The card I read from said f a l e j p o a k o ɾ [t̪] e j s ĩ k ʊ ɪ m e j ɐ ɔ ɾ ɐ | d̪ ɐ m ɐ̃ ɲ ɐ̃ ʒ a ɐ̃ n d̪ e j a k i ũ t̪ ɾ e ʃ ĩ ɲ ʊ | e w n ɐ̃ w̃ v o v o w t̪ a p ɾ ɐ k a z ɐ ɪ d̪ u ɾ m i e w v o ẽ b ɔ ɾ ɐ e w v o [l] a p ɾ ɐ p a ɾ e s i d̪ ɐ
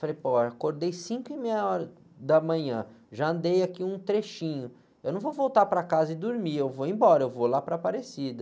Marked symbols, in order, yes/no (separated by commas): no, yes